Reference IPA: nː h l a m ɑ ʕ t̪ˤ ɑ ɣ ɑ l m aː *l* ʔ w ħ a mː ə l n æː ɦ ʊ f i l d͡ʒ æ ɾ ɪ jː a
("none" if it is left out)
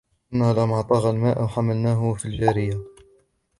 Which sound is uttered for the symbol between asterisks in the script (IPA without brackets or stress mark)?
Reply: none